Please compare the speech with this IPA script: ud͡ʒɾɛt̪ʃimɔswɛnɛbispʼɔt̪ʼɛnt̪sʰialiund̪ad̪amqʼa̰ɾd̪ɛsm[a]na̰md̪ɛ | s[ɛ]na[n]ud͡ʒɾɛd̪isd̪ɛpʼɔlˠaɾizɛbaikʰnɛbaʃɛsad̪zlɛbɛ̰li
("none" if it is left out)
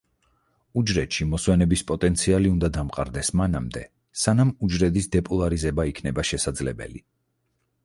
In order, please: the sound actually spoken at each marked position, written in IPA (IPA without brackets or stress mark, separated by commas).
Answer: a, a, m